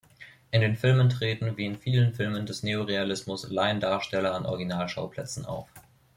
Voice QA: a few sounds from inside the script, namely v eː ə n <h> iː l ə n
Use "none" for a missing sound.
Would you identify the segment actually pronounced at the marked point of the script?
f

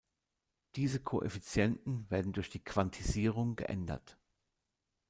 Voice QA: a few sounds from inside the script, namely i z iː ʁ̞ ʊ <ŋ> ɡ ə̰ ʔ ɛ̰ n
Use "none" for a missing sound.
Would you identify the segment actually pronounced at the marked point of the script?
ŋ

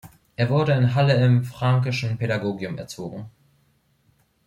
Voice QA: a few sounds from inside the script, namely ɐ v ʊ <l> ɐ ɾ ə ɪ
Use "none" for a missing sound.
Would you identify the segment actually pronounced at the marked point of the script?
none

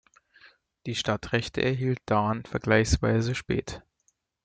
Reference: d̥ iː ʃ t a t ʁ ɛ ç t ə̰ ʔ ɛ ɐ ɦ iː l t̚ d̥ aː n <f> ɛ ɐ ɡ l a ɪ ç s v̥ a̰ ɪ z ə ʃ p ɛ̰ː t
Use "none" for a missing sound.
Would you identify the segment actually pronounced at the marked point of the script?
f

